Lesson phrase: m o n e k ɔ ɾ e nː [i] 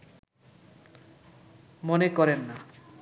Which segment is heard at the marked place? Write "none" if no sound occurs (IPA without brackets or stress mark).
a